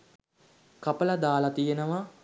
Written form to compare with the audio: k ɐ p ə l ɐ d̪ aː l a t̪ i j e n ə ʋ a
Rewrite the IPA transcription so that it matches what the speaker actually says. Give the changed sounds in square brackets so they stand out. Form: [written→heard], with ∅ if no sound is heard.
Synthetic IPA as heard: k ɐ p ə l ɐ d̪ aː l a t̪ i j e n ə ʋ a